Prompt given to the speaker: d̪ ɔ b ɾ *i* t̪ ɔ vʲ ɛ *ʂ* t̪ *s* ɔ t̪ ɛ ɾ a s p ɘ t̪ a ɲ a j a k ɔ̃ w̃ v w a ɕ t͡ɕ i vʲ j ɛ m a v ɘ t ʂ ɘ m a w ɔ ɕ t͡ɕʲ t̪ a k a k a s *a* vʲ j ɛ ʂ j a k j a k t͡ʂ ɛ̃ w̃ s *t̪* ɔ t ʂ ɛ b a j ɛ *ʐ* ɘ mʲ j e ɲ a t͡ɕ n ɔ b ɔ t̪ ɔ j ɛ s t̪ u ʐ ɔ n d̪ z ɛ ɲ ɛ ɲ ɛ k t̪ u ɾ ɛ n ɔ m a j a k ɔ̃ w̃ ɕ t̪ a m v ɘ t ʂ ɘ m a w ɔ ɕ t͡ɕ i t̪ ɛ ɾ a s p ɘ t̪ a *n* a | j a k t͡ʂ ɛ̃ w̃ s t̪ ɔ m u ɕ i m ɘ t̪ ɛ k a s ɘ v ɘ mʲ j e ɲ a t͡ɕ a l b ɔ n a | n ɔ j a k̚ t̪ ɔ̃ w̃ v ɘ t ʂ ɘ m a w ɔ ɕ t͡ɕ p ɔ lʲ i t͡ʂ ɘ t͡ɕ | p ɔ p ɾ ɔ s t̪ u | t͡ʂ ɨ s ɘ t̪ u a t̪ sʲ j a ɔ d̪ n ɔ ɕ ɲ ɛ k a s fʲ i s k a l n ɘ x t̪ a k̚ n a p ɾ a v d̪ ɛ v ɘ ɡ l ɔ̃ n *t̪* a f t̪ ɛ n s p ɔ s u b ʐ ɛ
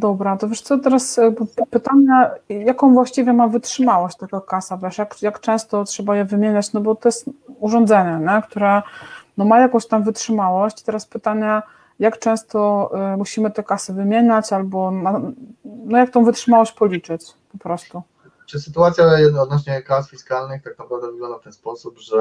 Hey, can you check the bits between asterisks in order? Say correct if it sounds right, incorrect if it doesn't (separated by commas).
incorrect, correct, correct, correct, correct, incorrect, incorrect, incorrect